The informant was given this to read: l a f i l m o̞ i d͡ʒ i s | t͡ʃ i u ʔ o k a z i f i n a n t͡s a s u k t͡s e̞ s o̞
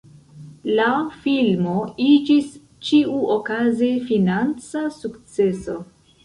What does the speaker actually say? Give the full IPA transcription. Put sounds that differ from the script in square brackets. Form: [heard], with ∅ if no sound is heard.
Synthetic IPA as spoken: l a f i l m o̞ i d͡ʒ i s | t͡ʃ i u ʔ o k a z [e] f i n a n t͡s a s u k t͡s e̞ s o̞